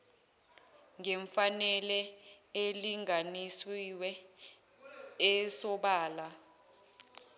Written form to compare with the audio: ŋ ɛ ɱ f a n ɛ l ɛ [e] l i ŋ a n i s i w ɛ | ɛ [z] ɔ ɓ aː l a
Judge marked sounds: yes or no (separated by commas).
yes, no